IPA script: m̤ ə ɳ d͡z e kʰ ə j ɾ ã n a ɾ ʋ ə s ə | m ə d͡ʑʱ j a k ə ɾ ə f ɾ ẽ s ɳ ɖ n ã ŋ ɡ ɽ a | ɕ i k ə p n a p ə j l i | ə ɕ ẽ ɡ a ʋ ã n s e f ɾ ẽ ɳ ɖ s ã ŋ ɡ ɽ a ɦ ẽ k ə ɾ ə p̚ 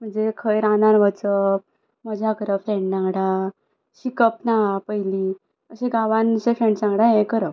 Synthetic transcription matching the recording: m̤ ə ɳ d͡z e kʰ ə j ɾ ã n a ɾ ʋ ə t͡s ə | m ə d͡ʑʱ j a k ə ɾ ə f ɾ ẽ ɳ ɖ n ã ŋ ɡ ɽ a | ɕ i k ə p n a p ə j l i | ə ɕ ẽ ɡ a ʋ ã n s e f ɾ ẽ ɳ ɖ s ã ŋ ɡ ɽ a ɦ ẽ k ə ɾ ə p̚